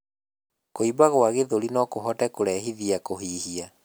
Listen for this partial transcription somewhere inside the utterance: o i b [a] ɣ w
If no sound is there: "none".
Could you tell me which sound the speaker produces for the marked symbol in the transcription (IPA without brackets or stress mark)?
a